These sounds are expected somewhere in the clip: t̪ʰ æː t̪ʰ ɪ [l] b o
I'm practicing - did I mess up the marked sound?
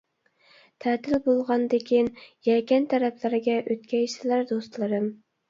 no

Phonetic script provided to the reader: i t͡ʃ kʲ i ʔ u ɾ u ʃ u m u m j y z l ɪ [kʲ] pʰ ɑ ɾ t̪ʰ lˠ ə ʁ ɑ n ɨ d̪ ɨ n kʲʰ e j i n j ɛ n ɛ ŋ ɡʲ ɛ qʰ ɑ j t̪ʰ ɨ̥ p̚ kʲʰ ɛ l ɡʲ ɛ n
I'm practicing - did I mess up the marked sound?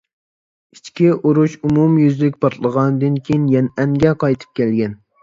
no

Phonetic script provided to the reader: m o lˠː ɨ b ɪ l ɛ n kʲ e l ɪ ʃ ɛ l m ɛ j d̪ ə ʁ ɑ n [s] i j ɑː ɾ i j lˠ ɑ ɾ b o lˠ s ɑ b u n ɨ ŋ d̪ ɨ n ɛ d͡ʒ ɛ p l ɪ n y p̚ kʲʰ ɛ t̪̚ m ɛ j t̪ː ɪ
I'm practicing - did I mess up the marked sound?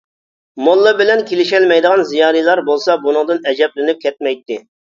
yes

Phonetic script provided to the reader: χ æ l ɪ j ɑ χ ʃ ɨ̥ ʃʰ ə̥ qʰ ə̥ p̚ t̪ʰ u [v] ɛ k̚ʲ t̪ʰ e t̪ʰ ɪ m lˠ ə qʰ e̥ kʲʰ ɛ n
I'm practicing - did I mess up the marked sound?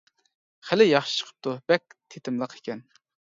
yes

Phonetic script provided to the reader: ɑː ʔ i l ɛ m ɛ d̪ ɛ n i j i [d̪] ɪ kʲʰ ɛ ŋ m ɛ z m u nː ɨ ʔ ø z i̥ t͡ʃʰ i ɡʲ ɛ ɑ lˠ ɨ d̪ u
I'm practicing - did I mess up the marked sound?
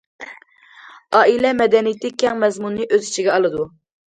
yes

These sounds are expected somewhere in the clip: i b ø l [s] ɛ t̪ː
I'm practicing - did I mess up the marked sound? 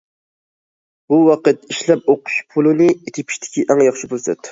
no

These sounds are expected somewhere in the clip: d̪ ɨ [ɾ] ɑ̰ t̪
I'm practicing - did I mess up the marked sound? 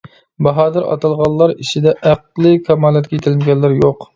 no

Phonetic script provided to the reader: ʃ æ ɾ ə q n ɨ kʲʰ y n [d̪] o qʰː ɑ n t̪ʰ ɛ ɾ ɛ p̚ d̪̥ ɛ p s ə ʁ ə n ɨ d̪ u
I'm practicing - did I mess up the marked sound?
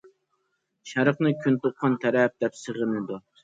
yes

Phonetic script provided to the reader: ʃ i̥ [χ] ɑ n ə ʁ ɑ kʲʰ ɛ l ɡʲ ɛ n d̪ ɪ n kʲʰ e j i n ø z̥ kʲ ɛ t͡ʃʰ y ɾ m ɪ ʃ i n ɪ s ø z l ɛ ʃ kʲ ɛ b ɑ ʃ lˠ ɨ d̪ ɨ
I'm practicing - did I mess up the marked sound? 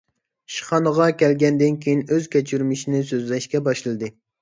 no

